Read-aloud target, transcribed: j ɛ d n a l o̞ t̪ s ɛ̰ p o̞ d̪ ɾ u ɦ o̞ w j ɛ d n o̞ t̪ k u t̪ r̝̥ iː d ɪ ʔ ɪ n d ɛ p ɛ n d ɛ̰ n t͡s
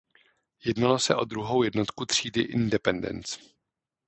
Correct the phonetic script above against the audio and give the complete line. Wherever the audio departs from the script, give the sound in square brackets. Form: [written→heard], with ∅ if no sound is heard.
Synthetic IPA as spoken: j ɛ d n a l o̞ [t̪→∅] s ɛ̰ [p→ʔ] o̞ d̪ ɾ u ɦ o̞ w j ɛ d n o̞ t̪ k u t̪ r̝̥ iː d ɪ ʔ ɪ n d ɛ p ɛ n d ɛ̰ n t͡s